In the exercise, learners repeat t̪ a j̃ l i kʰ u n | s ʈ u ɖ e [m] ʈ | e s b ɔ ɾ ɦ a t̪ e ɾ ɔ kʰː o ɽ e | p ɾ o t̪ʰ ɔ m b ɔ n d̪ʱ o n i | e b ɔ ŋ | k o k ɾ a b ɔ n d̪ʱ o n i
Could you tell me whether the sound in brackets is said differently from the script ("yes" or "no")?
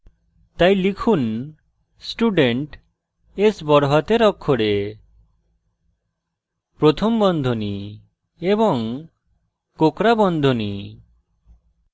yes